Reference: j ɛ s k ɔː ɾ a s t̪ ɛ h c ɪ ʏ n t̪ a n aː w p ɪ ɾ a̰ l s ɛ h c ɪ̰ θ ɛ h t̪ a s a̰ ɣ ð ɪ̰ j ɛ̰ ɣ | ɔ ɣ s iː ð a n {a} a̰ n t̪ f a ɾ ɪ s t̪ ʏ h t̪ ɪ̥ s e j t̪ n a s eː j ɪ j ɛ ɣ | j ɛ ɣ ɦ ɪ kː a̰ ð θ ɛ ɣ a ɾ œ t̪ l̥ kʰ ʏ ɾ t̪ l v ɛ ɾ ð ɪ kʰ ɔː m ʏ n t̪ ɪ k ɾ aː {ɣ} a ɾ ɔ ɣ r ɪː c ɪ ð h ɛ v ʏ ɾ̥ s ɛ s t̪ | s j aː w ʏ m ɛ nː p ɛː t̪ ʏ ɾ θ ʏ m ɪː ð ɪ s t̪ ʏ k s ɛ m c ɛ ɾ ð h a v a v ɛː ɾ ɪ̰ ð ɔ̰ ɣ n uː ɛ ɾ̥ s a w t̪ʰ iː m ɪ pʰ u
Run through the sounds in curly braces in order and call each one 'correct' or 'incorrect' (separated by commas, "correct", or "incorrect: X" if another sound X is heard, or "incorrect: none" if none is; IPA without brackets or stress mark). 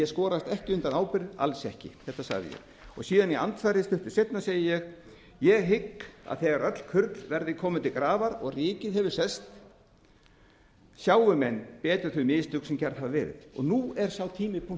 incorrect: i, incorrect: v